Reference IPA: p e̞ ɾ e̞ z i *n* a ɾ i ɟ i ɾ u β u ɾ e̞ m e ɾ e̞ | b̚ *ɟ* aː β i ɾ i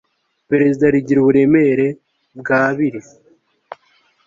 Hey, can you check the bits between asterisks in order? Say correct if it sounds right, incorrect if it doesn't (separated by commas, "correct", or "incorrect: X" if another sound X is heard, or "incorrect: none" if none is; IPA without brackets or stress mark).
incorrect: d, incorrect: ɡ